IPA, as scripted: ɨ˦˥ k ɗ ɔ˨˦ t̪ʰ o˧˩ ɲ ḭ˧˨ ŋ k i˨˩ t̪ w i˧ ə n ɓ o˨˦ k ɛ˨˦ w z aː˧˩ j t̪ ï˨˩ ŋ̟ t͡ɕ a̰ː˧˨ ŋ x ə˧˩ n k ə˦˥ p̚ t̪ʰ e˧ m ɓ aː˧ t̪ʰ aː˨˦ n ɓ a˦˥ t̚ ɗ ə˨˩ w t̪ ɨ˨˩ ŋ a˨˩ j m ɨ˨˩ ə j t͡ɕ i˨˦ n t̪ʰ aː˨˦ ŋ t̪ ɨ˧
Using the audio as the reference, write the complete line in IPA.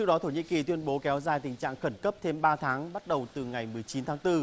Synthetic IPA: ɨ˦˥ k ɗ ɔ˨˦ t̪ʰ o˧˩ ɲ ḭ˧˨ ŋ k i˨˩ t̪ w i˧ ə n ɓ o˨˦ k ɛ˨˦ w z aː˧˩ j t̪ ï˨˩ ŋ̟ t͡ɕ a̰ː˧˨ ŋ x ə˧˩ n k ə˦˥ p̚ t̪ʰ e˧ m ɓ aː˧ t̪ʰ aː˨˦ ŋ ɓ a˦˥ t̚ ɗ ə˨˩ w t̪ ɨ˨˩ ŋ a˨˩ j m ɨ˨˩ ə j t͡ɕ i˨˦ n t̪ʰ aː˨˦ ŋ t̪ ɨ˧